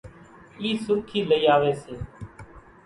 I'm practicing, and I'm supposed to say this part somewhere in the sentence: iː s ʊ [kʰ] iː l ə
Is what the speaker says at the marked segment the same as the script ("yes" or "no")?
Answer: yes